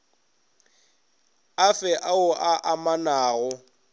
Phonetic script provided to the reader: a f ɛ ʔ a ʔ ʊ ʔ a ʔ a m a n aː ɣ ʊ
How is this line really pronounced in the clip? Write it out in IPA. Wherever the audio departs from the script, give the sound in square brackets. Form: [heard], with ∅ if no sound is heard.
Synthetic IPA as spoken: a f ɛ ʔ a [∅] ʊ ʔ a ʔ a m a n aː ɣ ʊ